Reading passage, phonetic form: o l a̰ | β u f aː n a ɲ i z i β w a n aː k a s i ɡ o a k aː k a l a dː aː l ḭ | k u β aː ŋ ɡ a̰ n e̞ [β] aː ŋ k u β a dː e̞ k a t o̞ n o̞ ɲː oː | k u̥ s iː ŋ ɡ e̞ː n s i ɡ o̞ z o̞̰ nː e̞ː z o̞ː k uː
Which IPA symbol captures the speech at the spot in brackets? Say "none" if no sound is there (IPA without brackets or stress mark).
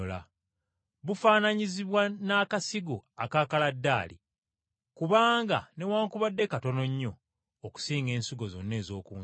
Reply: w